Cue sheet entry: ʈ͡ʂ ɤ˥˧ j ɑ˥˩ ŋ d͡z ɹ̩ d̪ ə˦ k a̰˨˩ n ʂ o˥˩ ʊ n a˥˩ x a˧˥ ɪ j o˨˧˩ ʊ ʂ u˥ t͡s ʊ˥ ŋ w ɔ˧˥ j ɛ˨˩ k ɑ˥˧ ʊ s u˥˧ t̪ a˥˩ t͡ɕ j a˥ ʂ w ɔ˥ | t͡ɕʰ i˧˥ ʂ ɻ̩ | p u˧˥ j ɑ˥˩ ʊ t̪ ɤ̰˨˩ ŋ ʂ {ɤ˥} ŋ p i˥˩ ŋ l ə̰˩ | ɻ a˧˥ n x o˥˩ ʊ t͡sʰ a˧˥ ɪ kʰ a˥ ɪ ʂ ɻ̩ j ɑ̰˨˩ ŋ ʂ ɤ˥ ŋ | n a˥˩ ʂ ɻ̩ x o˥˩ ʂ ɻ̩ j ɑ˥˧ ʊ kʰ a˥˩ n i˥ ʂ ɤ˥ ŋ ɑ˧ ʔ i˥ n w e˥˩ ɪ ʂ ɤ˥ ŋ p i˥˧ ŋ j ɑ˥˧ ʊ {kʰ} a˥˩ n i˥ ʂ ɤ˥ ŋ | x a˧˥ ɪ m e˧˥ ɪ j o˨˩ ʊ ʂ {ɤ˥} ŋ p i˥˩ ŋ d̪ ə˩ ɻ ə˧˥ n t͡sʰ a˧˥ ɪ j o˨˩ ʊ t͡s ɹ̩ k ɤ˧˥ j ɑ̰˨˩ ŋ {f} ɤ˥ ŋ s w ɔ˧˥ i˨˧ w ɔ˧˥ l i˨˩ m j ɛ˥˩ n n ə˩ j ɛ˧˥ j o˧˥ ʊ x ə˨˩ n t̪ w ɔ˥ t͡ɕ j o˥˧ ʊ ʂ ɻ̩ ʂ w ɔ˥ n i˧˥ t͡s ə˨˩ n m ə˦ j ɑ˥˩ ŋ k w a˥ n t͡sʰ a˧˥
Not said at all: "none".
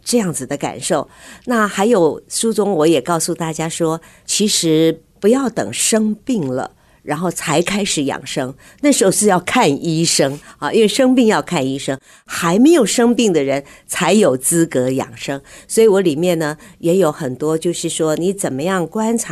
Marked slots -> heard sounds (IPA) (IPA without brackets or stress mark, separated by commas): ɤ˥, kʰ, ɤ˥, ʂ